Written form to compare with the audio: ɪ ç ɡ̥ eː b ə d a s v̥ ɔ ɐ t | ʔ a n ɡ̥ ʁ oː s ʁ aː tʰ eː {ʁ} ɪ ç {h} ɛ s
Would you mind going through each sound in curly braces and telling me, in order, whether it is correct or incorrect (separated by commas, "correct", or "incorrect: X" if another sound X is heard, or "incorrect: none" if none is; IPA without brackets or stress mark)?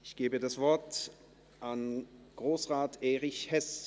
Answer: correct, correct